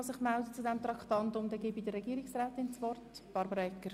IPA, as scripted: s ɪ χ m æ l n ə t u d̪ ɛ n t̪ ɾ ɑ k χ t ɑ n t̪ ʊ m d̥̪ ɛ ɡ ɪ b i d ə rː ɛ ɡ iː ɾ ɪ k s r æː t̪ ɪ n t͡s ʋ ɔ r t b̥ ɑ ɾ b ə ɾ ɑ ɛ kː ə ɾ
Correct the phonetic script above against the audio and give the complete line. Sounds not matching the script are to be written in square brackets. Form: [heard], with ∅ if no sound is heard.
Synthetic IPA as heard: s ɪ χ m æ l [d] ə [t͡s] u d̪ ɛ [m] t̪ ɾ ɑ k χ t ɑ n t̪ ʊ m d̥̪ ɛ ɡ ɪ b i d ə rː ɛ ɡ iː ɾ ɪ k s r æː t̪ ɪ n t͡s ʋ ɔ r t b̥ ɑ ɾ b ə ɾ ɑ ɛ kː ə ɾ